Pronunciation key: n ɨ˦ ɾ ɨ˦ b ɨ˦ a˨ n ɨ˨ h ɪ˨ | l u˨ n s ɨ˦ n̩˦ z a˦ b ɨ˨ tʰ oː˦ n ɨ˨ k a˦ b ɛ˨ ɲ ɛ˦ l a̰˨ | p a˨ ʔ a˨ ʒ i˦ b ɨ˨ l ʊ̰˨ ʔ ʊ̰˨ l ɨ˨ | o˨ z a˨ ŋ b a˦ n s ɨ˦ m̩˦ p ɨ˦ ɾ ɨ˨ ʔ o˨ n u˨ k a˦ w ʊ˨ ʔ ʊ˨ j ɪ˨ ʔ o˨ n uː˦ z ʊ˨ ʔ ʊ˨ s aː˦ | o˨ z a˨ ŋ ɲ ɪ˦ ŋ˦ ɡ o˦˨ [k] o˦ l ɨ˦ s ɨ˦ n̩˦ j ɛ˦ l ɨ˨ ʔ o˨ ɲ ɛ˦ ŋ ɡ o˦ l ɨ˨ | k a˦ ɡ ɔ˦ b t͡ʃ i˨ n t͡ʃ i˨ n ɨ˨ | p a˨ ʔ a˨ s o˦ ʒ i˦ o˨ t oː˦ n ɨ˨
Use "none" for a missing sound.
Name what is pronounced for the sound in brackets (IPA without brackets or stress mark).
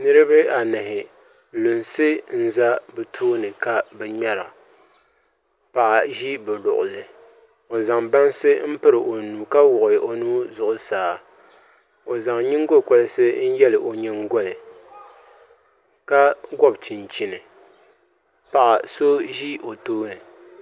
k